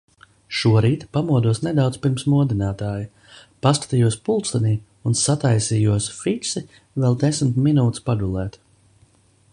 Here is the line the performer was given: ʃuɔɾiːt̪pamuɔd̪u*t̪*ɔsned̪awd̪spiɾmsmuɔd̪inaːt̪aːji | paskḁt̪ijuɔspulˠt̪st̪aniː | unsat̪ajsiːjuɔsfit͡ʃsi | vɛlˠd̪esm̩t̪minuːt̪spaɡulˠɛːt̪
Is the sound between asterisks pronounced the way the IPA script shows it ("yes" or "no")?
no